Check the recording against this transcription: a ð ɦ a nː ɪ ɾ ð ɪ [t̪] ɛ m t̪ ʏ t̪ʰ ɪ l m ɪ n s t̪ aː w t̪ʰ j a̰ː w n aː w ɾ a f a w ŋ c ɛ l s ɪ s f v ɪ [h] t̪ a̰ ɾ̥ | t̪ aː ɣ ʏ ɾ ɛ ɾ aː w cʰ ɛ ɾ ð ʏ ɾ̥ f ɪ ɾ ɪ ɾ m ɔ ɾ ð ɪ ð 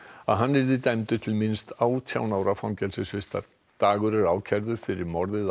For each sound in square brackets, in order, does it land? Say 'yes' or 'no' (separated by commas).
yes, no